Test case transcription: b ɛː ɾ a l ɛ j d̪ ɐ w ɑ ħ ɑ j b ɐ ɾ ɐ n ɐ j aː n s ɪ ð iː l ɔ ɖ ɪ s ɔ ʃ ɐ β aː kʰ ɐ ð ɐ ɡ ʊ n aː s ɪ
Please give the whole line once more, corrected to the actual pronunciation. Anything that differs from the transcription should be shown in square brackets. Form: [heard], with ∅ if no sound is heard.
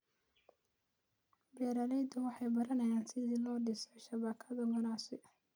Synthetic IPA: b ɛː ɾ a l ɛ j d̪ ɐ w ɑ ħ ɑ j b ɐ ɾ ɐ n ɐ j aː n s ɪ ð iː l [ɔː] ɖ ɪ s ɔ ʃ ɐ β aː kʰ ɐ ð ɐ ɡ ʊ n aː s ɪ

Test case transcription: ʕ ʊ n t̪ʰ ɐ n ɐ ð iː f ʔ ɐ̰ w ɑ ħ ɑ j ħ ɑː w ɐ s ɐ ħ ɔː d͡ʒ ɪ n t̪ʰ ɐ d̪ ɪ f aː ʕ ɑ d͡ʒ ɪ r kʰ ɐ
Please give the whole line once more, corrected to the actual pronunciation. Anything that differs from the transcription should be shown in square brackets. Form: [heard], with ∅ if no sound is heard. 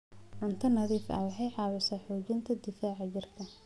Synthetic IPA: ʕ ʊ n t̪ʰ ɐ n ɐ ð iː f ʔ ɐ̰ w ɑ ħ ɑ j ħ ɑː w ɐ s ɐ ħ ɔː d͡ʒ ɪ n t̪ʰ ɐ d̪ ɪ f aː ʕ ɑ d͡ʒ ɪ r kʰ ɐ

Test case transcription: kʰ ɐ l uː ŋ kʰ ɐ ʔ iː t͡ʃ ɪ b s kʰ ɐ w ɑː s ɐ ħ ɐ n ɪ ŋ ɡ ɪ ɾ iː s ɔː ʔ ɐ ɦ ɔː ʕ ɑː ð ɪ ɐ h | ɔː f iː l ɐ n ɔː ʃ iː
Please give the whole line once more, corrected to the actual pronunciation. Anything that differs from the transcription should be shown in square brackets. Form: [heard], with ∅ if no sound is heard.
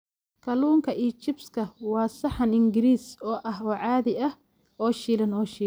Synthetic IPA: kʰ ɐ l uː ŋ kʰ ɐ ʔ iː t͡ʃ ɪ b s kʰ ɐ w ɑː s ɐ ħ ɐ n ɪ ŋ ɡ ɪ ɾ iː s ɔː ʔ ɐ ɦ ɔː ʕ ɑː ð ɪ ɐ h | ɔː [ʃ] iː l ɐ n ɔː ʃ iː

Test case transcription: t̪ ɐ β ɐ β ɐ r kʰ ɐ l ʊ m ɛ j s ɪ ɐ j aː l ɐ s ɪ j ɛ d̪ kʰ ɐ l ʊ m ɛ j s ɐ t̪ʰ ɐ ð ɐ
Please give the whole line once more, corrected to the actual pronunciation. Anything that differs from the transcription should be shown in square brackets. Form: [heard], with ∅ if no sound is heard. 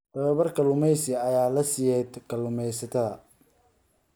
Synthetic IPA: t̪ ɐ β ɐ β ɐ r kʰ ɐ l ʊ m ɛ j s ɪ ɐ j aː l ɐ s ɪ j ɛ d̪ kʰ ɐ l ʊ m ɛ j s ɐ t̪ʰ ɐ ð ɐ

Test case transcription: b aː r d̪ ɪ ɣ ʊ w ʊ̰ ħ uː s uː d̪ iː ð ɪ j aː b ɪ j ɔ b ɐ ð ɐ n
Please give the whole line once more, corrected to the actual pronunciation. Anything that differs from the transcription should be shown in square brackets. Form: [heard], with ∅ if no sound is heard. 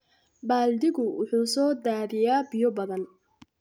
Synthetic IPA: b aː [l] d̪ ɪ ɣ ʊ w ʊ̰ ħ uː s [ɔː] d̪ [aː] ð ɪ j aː b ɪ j ɔ b ɐ ð ɐ n

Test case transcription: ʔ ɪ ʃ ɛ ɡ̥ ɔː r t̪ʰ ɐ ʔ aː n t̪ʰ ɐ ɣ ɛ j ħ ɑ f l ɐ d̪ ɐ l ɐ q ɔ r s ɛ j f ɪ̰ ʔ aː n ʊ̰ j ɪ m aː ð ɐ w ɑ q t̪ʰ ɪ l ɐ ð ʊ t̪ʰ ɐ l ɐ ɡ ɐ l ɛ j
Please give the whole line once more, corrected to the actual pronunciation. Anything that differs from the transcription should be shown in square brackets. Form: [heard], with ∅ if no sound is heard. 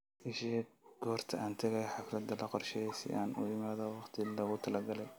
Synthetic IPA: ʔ ɪ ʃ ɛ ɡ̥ ɔː r t̪ʰ ɐ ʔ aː n t̪ʰ ɐ ɣ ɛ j ħ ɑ f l ɐ d̪ ɐ l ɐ q ɔ r [ʃ] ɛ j [s] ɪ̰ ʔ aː n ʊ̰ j ɪ m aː ð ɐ w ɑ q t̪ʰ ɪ l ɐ [ɣ] ʊ t̪ʰ ɐ l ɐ ɡ ɐ l ɛ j

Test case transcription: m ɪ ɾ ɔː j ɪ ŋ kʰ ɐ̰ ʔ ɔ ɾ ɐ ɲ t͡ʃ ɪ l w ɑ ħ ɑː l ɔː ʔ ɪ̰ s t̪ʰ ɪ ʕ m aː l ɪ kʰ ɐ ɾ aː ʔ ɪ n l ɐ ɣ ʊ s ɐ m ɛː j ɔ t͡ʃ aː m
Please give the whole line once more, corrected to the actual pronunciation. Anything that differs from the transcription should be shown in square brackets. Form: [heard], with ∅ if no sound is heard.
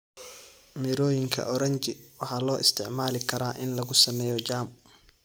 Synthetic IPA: m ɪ ɾ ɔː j ɪ ŋ kʰ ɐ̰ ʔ ɔ ɾ ɐ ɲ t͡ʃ ɪ [∅] w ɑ ħ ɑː l ɔː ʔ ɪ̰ s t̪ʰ ɪ ʕ m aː l ɪ kʰ ɐ ɾ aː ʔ ɪ n l ɐ ɣ ʊ s ɐ m ɛː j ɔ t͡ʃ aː m

